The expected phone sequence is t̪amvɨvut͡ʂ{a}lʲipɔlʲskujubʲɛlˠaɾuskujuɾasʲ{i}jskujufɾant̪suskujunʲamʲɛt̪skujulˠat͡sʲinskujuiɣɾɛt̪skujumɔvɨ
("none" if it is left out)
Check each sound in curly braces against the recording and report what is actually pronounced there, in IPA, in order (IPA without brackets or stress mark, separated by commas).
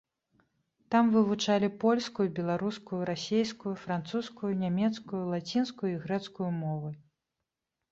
a, e